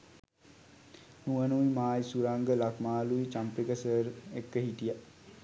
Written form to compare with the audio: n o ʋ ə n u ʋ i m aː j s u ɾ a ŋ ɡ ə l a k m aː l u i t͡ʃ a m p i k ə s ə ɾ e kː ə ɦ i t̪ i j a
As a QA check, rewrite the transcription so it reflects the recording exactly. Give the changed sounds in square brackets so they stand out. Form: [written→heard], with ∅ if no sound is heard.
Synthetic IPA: n [o→u] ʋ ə n u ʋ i m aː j s u ɾ a ŋ ɡ ə l a k m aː l u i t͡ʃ a m p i k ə s ə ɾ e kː ə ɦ i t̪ i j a